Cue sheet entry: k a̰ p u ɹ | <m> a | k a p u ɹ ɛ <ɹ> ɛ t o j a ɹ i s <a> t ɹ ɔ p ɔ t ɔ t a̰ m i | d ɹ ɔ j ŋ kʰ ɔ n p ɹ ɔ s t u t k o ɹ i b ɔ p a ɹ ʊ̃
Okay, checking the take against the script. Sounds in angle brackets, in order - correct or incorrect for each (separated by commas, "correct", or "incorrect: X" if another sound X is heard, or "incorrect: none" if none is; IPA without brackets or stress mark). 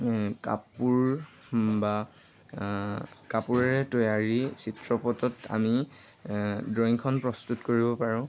incorrect: b, correct, incorrect: i